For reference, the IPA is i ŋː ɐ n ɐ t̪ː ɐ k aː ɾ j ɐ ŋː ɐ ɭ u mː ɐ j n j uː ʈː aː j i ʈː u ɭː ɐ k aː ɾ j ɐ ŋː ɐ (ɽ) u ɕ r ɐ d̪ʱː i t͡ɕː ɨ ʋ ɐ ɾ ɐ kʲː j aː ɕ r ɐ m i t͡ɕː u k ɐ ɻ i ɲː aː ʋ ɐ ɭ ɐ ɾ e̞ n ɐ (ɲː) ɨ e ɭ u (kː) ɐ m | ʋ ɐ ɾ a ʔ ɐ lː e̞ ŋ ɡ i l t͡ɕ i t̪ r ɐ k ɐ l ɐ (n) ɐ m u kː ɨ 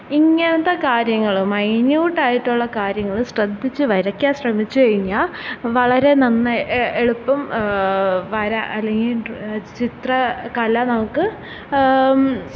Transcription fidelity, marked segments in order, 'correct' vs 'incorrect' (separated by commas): incorrect, incorrect, incorrect, correct